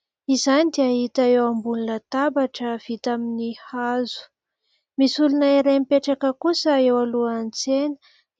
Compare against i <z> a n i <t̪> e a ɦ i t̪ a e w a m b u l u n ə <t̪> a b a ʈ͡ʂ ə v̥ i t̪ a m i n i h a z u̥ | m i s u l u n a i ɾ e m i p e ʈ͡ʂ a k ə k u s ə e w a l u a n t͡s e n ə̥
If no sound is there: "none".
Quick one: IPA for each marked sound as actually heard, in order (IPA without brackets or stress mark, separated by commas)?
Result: z, d̪, t̪